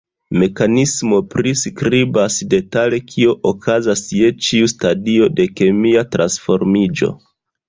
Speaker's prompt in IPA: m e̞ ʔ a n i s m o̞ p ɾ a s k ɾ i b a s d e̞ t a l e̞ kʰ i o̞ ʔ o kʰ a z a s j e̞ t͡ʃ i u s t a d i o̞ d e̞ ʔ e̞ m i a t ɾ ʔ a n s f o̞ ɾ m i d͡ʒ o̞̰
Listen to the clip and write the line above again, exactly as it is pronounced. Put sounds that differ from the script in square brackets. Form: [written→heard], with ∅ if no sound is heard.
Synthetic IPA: m e̞ [ʔ→k] a n i s m o̞ p ɾ [a→i] s k ɾ i b a s d e̞ t a l e̞ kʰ i o̞ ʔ o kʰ a z a s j e̞ t͡ʃ i u s t a d i o̞ d e̞ [ʔ→k] e̞ m i a t ɾ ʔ a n s f o̞ ɾ m i d͡ʒ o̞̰